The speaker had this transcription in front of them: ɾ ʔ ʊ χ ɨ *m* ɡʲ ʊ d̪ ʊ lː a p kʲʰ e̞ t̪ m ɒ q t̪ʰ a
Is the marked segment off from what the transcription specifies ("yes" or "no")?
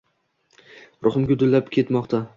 no